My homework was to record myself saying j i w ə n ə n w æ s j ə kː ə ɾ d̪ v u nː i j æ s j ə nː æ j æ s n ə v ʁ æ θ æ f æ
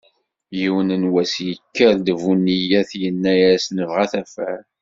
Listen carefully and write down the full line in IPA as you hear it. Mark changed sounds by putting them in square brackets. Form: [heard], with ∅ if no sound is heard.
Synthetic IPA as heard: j i w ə n ə n w æ s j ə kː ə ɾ d̪ v u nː i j æ [θ] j ə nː æ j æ s n ə v ʁ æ θ æ f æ